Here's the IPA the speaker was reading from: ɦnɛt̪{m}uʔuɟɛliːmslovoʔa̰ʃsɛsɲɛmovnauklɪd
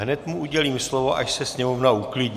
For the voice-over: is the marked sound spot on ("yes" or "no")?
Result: yes